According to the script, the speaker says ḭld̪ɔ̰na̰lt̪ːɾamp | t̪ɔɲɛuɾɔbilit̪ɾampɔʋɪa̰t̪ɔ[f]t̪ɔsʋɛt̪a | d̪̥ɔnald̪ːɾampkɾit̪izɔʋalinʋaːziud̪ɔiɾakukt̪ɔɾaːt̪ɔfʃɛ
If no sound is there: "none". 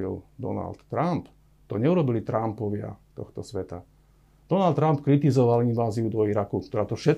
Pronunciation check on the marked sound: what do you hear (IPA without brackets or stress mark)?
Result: x